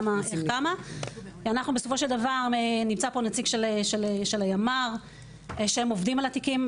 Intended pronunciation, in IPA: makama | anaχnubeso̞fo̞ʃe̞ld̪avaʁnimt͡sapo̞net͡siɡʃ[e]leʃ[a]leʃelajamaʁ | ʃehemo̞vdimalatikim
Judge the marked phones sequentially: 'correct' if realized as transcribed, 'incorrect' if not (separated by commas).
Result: correct, incorrect